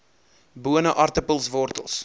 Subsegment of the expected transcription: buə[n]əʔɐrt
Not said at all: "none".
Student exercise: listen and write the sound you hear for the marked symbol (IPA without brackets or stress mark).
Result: n